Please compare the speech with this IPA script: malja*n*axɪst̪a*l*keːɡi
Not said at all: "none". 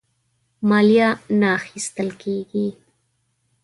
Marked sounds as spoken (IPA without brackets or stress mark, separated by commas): n, l